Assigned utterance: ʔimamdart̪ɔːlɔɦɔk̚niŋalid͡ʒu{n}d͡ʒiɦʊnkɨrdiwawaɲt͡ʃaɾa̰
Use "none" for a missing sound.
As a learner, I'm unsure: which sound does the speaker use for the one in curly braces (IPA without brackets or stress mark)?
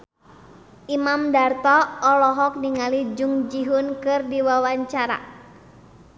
ŋ